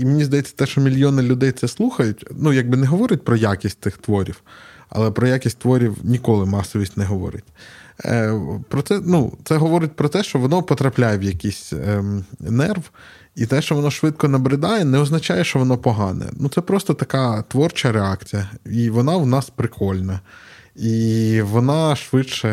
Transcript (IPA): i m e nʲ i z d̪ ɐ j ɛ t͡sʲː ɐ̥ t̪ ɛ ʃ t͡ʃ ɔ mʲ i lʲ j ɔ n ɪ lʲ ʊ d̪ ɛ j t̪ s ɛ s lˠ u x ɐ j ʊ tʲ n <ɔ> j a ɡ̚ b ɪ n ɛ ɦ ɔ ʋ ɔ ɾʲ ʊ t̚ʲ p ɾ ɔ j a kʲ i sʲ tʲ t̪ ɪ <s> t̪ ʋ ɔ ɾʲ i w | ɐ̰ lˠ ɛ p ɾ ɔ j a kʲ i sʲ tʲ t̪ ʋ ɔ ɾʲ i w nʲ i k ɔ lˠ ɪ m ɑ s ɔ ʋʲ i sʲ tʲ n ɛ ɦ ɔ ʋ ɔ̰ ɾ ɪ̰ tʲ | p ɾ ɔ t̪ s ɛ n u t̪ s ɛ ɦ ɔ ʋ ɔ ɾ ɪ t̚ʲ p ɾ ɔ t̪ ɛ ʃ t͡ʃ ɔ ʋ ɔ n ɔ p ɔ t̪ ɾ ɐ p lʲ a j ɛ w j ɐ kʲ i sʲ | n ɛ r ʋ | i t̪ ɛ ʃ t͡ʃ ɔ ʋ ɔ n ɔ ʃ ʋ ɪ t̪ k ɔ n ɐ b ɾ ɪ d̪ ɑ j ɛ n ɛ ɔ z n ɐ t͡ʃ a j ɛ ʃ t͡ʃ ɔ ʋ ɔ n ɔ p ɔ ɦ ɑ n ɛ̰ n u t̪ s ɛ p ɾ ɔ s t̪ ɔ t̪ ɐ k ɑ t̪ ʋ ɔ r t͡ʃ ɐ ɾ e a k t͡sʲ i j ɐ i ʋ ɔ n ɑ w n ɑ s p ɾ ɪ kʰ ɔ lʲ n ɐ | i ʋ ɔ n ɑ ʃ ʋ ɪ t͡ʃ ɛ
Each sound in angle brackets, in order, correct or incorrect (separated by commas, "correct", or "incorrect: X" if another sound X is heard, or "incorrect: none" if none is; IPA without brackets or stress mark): incorrect: u, incorrect: x